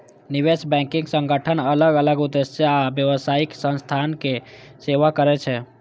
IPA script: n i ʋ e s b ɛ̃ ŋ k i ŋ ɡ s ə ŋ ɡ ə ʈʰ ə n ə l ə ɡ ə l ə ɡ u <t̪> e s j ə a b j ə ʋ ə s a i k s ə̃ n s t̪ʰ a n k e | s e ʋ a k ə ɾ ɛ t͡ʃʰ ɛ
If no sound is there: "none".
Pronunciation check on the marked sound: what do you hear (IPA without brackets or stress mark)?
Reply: d̪